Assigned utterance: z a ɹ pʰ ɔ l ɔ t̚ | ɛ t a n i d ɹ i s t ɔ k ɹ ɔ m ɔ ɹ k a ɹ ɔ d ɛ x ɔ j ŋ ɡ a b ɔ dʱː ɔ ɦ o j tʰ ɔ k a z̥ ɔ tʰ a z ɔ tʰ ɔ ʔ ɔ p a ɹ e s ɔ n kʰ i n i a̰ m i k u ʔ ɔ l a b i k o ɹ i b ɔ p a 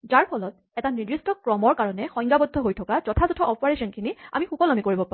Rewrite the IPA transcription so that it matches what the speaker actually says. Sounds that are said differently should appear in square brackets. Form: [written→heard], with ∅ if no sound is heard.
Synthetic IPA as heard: z a ɹ pʰ ɔ l ɔ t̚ | ɛ t a n i d ɹ i s t ɔ k ɹ ɔ m ɔ ɹ k a ɹ ɔ [d→n] ɛ x ɔ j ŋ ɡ a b ɔ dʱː ɔ ɦ o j tʰ ɔ k a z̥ ɔ tʰ a z ɔ tʰ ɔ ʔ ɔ p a ɹ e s ɔ n kʰ i n i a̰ m i [k→x] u [ʔ→k] ɔ l a [b→m] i k o ɹ i b ɔ p a

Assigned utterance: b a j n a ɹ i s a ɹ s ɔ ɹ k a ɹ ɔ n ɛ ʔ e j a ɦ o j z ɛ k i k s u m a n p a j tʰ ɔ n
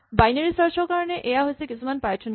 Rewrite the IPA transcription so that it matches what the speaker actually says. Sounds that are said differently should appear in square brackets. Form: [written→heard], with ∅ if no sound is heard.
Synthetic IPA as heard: b a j n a ɹ i s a ɹ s ɔ ɹ k a ɹ ɔ n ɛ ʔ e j a ɦ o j [z→s] ɛ k i [k→∅] s u m a n p a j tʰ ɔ n

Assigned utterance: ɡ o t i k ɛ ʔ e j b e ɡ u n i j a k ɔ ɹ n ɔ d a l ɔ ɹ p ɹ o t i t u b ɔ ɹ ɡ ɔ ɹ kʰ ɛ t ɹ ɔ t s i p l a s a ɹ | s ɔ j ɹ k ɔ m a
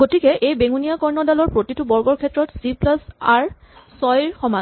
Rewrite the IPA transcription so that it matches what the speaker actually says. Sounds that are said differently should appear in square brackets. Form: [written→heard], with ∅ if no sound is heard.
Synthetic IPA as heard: ɡ o t i k ɛ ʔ e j b e [ɡ→ŋ] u n i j a k ɔ ɹ n ɔ d a l ɔ ɹ p ɹ o t i t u b ɔ ɹ ɡ ɔ ɹ kʰ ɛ t ɹ ɔ t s i p l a s a ɹ | s ɔ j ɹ [k→x] ɔ m a

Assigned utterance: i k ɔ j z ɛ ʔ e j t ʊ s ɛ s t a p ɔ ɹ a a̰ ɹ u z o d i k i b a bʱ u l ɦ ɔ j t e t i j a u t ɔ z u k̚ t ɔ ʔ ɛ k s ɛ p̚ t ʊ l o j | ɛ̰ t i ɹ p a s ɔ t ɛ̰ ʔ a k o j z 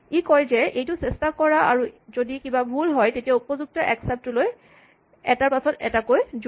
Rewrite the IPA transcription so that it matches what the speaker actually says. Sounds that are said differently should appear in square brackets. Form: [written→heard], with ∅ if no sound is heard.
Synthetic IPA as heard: i k ɔ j z ɛ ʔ e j t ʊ s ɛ s t a [p→k] ɔ ɹ a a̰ ɹ u z o d i k i b a bʱ u l ɦ ɔ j t e t i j a u [t→p] ɔ z u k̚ t ɔ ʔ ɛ k s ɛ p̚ t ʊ l o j | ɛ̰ t [i→a] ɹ p a s ɔ t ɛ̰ [ʔ→t] a k o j z

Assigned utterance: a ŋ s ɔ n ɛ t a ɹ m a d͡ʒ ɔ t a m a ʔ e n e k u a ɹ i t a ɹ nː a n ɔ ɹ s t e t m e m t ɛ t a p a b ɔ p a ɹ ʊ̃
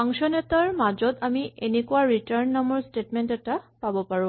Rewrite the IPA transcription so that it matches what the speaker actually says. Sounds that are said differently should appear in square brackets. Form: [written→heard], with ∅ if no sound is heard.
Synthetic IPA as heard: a ŋ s ɔ n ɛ t a ɹ m a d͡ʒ ɔ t a m [a→i] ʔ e n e k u a ɹ i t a ɹ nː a [n→m] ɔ ɹ s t e t m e [m→n] t ɛ t a p a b ɔ p a ɹ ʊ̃

